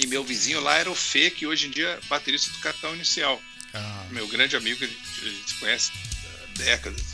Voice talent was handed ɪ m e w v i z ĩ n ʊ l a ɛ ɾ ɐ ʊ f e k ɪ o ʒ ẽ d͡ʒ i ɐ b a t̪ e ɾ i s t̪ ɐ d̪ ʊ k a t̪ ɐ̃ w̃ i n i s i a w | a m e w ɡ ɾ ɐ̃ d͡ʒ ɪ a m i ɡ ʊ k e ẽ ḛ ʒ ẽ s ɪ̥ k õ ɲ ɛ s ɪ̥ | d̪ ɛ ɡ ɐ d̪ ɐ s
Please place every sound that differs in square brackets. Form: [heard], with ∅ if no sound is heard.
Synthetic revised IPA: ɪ m e w v i z ĩ [ɲ] ʊ l a ɛ ɾ ɐ ʊ f e k ɪ o ʒ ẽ d͡ʒ i ɐ b a t̪ e ɾ i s t̪ ɐ d̪ ʊ k a t̪ ɐ̃ w̃ i n i s i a w | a m e w ɡ ɾ ɐ̃ d͡ʒ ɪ a m i ɡ ʊ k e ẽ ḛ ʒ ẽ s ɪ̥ k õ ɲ ɛ s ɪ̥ | d̪ ɛ [k] ɐ d̪ ɐ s